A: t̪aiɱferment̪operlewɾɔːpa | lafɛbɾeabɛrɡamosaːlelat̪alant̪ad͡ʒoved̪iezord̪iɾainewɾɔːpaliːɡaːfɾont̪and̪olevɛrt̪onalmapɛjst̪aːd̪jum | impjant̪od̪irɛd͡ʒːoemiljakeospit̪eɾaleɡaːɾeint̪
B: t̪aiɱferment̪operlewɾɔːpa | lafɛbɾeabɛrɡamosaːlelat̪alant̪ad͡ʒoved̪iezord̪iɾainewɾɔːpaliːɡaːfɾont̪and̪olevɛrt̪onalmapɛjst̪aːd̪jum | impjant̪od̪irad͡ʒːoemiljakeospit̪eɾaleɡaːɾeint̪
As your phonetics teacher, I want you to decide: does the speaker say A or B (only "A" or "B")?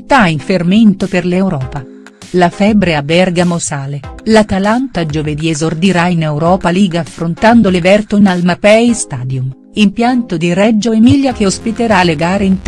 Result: A